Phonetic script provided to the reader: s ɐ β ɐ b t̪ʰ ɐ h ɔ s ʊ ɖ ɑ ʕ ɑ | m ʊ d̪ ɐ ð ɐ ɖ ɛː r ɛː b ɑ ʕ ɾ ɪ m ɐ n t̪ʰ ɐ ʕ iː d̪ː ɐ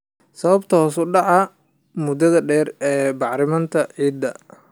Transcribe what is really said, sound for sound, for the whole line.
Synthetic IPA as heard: s ɐ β ɐ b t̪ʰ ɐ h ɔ s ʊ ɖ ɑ ʕ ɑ | m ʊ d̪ ɐ ð ɐ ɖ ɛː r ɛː b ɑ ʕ ɾ ɪ m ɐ n t̪ʰ ɐ ʕ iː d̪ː ɐ